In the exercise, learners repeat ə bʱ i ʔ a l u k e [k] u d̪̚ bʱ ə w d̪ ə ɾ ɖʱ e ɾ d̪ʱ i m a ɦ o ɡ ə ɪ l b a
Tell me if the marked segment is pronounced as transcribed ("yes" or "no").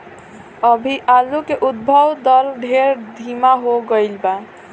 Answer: no